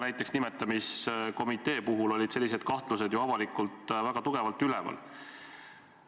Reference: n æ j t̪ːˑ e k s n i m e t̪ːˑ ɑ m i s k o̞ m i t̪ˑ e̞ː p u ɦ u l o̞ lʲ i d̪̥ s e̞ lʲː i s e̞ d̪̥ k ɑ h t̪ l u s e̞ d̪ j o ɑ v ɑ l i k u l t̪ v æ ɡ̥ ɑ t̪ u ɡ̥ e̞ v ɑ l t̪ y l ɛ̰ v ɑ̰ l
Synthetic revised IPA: n æ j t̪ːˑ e k s n i m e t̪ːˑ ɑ m i s k o̞ m i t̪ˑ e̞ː p u ɦ u l o̞ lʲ i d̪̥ s e̞ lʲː i s e̞ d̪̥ k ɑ h t̪ l u s e̞ d̪ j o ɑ v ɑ l i k u l t̪ v æ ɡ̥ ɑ t̪ u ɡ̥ e̞ v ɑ l t̪ y l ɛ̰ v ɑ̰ l